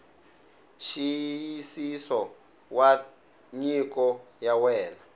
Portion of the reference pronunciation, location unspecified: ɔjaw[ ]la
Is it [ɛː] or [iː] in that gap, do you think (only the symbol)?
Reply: ɛː